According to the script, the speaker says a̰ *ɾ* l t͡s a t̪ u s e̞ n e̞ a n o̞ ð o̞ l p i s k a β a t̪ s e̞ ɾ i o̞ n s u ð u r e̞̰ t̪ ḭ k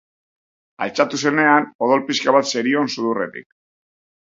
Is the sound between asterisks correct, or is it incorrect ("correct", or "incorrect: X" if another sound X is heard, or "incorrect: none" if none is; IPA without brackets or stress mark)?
incorrect: none